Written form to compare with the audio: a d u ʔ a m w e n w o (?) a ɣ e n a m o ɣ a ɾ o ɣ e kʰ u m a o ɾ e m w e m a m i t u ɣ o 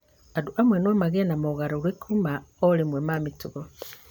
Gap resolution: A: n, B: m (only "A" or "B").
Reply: B